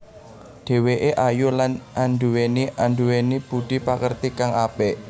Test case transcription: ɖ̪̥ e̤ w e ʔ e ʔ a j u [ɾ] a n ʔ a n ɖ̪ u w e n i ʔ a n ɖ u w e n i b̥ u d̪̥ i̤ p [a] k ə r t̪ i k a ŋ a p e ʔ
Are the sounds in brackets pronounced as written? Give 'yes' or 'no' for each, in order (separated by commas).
no, yes